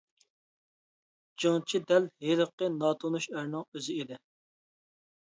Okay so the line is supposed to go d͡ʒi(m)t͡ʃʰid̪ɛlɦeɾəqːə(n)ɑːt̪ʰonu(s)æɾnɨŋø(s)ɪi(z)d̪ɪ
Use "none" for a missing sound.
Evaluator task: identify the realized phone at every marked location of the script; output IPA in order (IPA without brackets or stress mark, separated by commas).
ŋ, n, ʃ, z, none